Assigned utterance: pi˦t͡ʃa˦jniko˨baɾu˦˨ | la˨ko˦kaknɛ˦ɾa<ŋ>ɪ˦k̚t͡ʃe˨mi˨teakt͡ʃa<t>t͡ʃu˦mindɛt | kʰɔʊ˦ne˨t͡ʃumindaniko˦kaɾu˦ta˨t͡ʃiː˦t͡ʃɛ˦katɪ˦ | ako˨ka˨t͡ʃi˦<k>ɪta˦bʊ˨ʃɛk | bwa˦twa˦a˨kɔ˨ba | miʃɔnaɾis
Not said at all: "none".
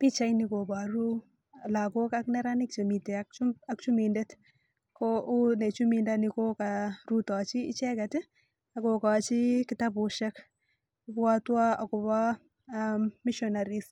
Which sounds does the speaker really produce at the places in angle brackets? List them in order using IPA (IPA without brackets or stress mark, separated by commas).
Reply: n, k, k